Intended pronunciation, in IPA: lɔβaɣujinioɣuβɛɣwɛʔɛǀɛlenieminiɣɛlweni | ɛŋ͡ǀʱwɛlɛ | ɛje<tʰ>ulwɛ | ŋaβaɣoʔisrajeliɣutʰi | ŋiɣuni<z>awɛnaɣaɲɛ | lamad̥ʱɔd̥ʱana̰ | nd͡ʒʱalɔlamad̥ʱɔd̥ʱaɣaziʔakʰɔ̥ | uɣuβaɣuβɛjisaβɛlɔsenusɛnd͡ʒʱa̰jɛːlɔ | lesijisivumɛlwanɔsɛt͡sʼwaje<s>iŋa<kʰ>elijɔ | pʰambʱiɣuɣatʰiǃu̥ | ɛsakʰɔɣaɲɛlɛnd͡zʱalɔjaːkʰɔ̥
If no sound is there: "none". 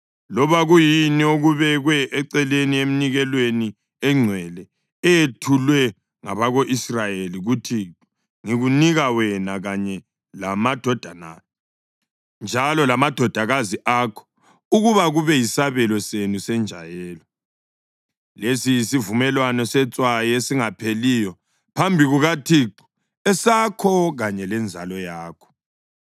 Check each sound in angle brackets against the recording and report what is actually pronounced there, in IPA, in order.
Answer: tʰ, ɣ, s, pʰ

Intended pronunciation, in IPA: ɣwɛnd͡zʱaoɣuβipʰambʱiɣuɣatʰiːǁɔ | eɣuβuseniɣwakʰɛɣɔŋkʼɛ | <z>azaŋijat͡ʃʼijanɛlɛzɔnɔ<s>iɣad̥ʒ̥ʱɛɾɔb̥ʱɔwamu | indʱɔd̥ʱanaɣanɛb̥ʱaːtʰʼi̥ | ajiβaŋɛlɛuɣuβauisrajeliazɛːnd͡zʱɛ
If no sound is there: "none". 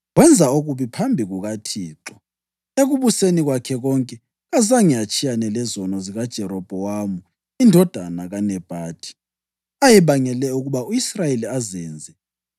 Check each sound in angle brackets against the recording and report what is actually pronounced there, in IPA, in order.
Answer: ɣ, z

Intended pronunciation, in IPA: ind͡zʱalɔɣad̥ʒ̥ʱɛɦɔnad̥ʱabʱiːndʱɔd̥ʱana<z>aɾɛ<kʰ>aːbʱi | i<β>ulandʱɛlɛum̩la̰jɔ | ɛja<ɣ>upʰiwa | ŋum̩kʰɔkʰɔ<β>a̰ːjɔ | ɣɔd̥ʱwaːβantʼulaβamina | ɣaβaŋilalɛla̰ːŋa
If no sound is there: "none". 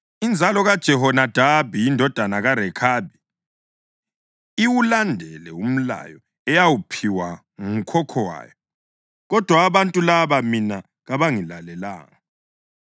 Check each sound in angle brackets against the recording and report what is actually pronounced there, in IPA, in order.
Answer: ɣ, kʰ, w, w, w

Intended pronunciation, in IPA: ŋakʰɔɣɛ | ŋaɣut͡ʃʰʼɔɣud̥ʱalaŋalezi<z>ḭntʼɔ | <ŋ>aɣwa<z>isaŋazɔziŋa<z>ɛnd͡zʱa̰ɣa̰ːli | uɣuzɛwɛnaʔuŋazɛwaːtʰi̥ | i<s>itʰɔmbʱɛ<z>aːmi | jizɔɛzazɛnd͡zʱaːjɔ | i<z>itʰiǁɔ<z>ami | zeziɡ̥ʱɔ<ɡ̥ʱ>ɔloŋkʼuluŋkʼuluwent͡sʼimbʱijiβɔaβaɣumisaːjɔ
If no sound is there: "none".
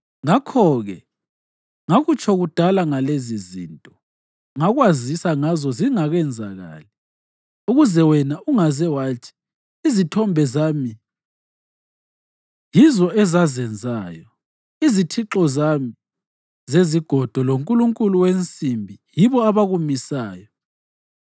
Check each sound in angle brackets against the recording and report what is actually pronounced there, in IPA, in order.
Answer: z, ŋ, z, ɣ, z, z, z, z, d̥ʱ

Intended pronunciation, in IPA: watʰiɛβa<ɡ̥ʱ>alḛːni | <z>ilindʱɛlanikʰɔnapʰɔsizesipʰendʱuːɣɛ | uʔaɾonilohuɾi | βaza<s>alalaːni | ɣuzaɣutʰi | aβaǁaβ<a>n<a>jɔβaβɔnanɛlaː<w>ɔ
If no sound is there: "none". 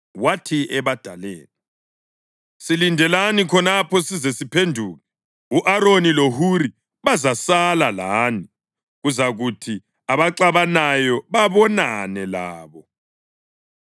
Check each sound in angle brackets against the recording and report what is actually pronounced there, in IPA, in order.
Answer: d̥ʱ, s, s, a, a, β

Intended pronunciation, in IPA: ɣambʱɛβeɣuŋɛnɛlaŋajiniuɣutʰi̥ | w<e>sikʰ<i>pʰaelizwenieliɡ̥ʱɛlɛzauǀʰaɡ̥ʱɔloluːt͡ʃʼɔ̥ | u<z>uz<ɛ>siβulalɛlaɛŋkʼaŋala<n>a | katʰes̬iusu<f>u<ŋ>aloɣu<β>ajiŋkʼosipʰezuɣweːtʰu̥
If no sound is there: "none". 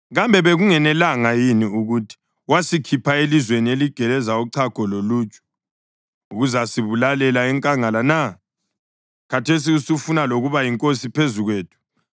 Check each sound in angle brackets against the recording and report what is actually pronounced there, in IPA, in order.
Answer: a, i, ɣ, a, n, f, n, β

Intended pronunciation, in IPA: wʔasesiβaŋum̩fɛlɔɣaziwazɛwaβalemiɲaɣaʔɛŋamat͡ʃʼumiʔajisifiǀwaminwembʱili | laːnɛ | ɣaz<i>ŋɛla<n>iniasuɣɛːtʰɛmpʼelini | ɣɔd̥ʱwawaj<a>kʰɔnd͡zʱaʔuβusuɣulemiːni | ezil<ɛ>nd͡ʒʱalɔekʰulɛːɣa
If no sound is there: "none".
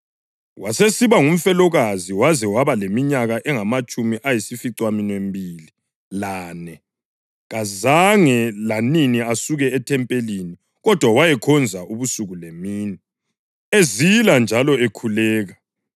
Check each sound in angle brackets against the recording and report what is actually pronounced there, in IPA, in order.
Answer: a, n, ɛ, a

